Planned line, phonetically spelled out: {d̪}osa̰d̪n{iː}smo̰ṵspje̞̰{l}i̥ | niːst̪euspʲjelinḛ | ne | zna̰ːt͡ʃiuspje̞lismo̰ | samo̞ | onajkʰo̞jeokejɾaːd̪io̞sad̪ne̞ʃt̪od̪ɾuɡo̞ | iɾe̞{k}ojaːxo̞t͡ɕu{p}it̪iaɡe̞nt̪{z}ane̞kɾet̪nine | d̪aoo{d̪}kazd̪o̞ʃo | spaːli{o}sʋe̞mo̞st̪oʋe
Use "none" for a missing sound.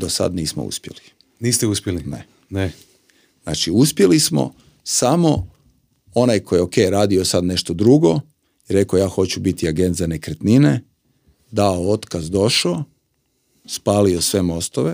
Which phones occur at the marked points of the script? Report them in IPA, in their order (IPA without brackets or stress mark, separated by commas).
d̪, iː, l, k, b, z, t̪, o